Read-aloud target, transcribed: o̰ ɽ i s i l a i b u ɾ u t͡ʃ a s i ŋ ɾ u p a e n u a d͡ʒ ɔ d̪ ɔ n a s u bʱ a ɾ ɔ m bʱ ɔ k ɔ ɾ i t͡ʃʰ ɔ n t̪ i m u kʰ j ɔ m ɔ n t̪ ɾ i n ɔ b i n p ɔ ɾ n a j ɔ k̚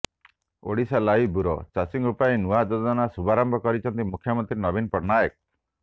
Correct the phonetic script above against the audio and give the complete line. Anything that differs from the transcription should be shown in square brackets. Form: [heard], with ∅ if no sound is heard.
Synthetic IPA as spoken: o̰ ɽ i s [a] l a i b u ɾ [ɔ] t͡ʃ a s i ŋ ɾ u p a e n u a d͡ʒ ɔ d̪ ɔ n a s u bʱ a ɾ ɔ m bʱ ɔ k ɔ ɾ i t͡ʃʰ ɔ n t̪ i m u kʰ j ɔ m ɔ n t̪ ɾ i n ɔ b i n p ɔ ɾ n a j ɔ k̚